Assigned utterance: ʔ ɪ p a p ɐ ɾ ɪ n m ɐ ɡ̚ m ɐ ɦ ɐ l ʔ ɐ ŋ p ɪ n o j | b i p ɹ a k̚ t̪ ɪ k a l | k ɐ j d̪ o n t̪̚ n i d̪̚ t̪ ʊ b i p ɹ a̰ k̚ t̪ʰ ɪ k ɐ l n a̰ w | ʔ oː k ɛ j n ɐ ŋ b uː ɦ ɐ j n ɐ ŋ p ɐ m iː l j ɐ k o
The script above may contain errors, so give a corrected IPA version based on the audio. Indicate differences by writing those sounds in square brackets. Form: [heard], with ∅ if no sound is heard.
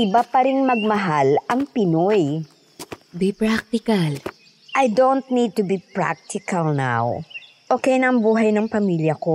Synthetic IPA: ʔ ɪ [b] a p ɐ ɾ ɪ n m ɐ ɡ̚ m ɐ ɦ [a] l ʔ ɐ ŋ p ɪ n o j | b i p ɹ a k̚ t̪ ɪ k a l | [ʔ] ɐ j d̪ o n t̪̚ n i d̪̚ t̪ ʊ b i p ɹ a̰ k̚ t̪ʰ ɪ k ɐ l n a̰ w | ʔ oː k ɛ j n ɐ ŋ b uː ɦ ɐ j n ɐ ŋ p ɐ m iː l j ɐ k o